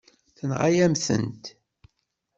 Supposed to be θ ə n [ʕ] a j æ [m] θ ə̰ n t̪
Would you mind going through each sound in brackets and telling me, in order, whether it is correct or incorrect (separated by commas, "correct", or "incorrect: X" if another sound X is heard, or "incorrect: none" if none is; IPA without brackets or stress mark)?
incorrect: ʁ, correct